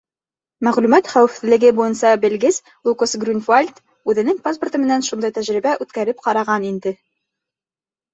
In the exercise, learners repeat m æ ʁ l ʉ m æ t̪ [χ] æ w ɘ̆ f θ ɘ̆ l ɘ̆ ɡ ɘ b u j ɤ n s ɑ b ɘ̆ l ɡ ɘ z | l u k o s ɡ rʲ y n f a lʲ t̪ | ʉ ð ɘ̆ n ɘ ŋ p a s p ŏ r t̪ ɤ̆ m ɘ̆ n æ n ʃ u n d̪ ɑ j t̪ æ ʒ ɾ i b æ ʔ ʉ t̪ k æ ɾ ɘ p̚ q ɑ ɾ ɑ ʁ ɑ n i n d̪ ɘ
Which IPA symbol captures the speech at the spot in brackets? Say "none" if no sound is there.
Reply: χ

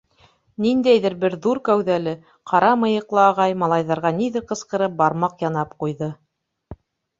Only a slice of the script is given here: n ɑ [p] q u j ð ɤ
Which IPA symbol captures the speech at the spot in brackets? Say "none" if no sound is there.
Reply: p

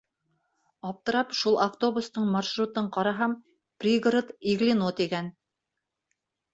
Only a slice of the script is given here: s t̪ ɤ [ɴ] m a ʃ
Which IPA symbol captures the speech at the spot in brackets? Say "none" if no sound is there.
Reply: ɴ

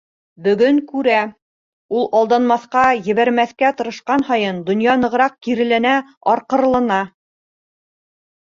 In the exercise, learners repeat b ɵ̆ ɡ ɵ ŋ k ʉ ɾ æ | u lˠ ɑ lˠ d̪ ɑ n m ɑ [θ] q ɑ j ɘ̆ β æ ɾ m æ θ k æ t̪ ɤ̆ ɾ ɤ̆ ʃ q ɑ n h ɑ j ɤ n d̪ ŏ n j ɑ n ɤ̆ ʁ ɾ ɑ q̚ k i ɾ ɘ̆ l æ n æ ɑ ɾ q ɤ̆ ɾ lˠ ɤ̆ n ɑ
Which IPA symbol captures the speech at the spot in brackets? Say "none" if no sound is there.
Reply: θ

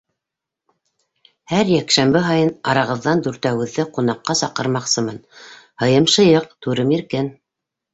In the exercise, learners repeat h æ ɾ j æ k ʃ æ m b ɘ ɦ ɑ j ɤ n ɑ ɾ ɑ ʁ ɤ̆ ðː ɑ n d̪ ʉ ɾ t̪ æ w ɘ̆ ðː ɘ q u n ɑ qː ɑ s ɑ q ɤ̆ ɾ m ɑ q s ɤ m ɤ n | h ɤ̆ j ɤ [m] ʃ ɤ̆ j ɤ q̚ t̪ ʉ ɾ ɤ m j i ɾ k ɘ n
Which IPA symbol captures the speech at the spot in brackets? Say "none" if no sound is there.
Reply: m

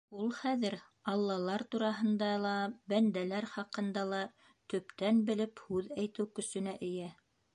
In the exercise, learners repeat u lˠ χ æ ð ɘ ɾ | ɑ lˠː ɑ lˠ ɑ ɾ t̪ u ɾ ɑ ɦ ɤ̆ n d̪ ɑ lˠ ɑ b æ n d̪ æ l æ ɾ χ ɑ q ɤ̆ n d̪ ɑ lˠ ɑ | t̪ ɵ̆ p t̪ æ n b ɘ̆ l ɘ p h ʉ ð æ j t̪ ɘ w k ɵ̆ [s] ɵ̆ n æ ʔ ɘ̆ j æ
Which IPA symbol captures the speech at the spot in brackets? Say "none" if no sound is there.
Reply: s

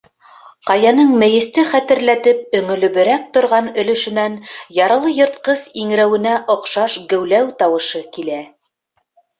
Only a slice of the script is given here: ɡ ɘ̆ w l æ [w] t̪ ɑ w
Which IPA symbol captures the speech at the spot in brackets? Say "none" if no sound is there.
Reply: w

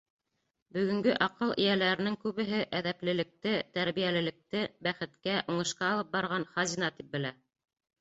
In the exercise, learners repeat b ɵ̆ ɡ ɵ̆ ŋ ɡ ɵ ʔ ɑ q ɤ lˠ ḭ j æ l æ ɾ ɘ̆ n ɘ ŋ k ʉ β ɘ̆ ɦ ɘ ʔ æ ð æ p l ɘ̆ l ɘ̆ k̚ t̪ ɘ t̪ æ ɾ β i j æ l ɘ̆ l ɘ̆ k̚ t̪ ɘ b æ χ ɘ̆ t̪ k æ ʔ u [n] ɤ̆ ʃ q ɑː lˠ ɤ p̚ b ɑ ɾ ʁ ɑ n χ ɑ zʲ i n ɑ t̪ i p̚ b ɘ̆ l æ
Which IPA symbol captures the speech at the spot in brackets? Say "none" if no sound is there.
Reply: ɴ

